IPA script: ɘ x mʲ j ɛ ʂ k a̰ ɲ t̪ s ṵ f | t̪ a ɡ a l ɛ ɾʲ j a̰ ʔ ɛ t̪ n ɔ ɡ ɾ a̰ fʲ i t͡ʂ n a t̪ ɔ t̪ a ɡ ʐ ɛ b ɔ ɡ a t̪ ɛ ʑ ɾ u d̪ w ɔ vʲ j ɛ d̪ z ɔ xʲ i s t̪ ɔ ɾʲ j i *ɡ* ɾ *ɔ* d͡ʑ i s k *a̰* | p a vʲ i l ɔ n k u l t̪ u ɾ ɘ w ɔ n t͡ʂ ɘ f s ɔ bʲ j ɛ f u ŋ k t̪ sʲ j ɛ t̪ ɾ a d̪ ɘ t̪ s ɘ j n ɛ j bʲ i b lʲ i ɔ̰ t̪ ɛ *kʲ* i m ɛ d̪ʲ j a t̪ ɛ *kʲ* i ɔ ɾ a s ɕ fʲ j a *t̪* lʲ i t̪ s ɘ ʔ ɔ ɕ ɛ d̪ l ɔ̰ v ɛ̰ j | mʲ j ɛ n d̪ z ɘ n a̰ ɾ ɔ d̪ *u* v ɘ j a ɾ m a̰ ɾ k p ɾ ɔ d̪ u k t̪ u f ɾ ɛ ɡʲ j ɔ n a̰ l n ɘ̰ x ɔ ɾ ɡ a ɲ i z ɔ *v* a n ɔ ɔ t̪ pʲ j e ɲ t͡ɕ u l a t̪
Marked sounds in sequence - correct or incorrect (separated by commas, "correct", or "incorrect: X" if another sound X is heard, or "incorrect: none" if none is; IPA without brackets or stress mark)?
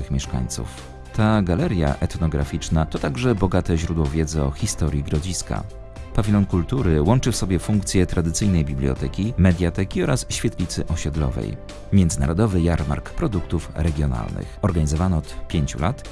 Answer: correct, correct, correct, correct, correct, correct, incorrect: ɔ, correct